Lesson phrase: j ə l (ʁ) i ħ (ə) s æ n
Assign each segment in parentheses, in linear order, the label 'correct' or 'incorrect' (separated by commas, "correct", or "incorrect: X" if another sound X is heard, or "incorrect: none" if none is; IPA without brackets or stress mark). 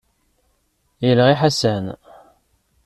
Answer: correct, incorrect: a